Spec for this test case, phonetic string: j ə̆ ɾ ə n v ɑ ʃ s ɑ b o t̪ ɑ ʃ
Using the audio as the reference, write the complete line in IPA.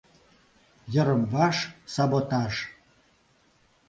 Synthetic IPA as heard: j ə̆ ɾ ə m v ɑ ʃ s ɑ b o t̪ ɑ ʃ